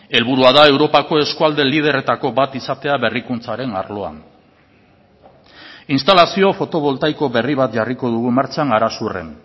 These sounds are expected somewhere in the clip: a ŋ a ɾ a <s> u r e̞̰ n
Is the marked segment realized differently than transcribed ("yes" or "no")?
no